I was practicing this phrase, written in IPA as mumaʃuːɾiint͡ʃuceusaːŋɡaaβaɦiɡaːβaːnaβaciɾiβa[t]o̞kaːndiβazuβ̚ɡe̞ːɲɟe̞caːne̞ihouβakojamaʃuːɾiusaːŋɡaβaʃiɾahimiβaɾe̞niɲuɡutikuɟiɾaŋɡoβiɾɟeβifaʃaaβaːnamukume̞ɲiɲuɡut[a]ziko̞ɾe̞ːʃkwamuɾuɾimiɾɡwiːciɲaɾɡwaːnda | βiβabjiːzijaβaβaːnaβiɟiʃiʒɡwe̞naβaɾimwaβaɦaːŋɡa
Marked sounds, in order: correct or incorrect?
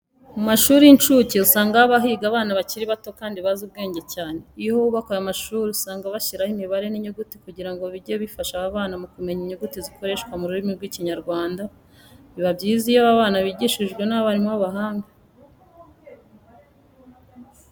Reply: correct, incorrect: i

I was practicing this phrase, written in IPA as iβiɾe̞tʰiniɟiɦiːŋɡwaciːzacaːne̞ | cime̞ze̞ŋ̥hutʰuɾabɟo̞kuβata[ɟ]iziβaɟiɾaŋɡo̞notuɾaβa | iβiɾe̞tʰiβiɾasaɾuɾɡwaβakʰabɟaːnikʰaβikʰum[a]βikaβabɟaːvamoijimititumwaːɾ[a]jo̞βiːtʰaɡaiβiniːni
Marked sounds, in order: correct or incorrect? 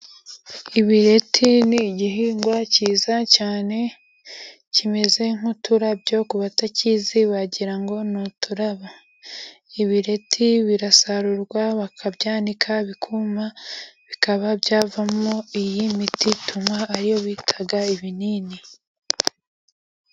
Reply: incorrect: c, correct, incorrect: i

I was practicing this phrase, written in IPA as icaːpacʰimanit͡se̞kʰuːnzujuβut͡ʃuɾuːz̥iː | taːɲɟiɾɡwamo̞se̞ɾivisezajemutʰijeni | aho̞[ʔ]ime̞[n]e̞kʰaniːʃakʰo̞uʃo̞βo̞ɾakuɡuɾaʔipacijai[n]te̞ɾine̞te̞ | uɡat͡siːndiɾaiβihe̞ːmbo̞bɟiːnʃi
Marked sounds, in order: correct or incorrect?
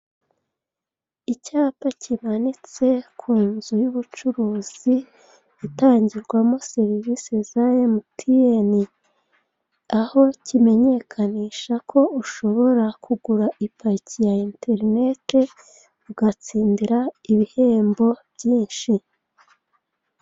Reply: incorrect: c, incorrect: ɲ, correct

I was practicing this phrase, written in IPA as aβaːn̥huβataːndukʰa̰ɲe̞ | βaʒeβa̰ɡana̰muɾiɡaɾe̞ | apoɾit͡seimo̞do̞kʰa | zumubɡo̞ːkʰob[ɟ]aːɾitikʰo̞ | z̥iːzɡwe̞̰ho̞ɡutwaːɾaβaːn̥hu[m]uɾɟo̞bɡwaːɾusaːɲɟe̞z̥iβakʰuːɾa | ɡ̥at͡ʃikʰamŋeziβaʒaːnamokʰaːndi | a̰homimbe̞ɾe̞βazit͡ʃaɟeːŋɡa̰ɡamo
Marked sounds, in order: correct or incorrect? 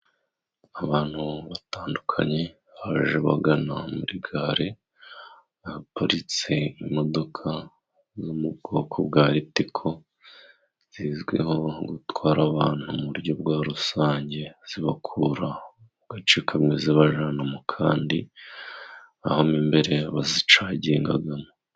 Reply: incorrect: ɡ, correct

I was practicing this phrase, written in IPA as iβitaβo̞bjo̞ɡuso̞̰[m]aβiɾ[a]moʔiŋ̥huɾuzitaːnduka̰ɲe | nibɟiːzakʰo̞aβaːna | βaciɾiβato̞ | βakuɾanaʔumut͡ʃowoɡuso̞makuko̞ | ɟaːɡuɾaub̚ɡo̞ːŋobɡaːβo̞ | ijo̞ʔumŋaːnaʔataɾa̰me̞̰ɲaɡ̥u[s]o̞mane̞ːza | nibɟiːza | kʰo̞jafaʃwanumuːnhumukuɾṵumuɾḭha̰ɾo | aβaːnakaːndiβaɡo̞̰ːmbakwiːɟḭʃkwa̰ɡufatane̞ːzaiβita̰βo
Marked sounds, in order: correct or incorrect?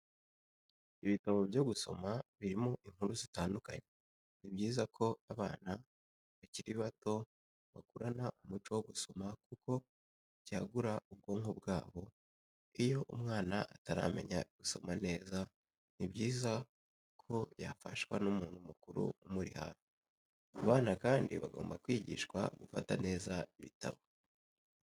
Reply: correct, incorrect: i, correct

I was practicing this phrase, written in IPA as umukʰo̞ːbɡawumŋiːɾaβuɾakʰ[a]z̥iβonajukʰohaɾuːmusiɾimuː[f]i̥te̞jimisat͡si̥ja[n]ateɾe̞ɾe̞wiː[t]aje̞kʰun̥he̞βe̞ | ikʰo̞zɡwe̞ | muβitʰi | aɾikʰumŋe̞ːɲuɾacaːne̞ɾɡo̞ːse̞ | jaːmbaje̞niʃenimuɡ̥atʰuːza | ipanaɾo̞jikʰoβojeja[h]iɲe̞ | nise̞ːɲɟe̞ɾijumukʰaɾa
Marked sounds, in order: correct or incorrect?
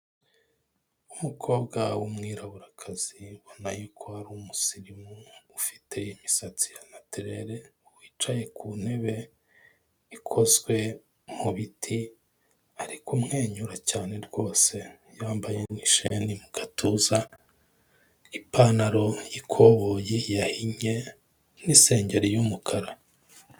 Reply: correct, correct, correct, incorrect: t͡ʃ, correct

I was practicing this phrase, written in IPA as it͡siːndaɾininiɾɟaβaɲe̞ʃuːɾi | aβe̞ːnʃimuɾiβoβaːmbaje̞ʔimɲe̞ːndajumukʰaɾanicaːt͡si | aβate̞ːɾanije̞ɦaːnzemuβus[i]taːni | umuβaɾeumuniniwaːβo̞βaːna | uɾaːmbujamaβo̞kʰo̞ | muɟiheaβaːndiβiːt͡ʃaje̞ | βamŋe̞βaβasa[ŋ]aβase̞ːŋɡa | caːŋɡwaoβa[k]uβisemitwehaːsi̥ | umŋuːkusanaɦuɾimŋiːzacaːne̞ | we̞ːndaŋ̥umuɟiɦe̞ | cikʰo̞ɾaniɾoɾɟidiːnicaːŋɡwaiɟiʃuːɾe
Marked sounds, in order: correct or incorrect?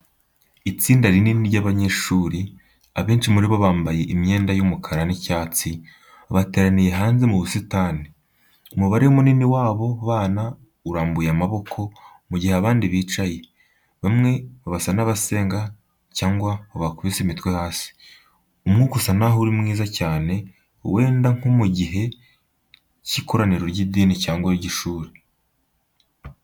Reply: correct, incorrect: n, correct

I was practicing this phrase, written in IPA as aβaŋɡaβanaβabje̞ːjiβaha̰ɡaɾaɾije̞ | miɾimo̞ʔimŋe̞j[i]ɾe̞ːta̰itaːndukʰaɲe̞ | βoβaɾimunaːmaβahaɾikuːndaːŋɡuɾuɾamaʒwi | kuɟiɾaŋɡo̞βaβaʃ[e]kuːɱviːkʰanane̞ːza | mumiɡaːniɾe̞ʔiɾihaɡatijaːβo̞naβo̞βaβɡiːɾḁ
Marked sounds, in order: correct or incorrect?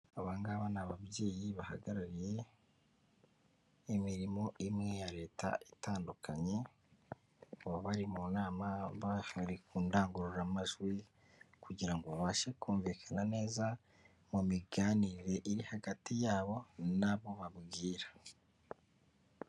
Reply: incorrect: a, correct

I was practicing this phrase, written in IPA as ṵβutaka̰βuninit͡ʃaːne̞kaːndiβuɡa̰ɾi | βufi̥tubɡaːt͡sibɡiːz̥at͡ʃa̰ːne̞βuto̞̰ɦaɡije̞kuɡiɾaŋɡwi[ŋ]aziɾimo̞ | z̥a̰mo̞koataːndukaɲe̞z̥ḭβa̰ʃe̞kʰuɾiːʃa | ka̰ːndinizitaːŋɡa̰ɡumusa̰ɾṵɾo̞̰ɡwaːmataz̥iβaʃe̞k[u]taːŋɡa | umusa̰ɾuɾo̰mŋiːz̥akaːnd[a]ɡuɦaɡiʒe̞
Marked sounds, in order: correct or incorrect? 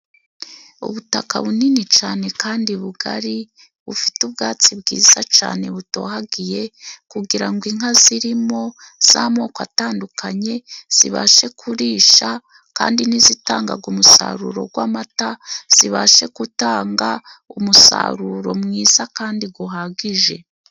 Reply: correct, correct, incorrect: i

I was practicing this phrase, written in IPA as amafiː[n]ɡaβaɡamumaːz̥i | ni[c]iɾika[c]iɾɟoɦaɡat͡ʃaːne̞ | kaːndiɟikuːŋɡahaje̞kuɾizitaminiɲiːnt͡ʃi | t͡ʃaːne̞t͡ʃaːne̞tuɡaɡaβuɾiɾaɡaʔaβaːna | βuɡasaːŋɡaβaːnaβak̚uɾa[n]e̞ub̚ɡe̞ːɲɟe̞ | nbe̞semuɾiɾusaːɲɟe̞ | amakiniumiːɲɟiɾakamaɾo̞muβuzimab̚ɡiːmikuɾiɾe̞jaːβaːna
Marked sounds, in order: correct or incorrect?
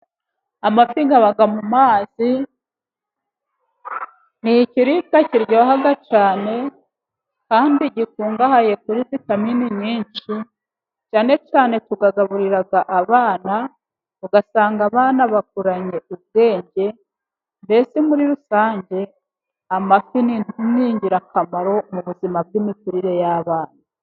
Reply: incorrect: ŋ, correct, correct, incorrect: ɲ

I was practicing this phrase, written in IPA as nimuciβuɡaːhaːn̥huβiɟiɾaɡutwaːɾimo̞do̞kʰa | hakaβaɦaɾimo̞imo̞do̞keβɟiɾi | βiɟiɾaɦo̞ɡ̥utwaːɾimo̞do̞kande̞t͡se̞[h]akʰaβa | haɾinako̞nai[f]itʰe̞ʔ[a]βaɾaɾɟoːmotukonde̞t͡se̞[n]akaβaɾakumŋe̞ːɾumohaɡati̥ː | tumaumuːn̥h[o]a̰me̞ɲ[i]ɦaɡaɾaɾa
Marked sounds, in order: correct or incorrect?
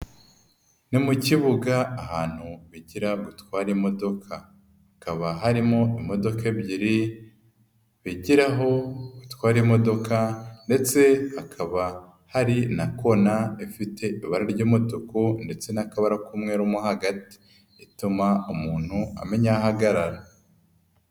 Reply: correct, correct, incorrect: i, correct, incorrect: u, incorrect: a

